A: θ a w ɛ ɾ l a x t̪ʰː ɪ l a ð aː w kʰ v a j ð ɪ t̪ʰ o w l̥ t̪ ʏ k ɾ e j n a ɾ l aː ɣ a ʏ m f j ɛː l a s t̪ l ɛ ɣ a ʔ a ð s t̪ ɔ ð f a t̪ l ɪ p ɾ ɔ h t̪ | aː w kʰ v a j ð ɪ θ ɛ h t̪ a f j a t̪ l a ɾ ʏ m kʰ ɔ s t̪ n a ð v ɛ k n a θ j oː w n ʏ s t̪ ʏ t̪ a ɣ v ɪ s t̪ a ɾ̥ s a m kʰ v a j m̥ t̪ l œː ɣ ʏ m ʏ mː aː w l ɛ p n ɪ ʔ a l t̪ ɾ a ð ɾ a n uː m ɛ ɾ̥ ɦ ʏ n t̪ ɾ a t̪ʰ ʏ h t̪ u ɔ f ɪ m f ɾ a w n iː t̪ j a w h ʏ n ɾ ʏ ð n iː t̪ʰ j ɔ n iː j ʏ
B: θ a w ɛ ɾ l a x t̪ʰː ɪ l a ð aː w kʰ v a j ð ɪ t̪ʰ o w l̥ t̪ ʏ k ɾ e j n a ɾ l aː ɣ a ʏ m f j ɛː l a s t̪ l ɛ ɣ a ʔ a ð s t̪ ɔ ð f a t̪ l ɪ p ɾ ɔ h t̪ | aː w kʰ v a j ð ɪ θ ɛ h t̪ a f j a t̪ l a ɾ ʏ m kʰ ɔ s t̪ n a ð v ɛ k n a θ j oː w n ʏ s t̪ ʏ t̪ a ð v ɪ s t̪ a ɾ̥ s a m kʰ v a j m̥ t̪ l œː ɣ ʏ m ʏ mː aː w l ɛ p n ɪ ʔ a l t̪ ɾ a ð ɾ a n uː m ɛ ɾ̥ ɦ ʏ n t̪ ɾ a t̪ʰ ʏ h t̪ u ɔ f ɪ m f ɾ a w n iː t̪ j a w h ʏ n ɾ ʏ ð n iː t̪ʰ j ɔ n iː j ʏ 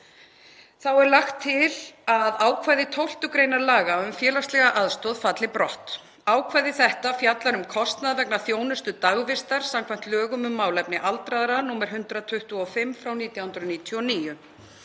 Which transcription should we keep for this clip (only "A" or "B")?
A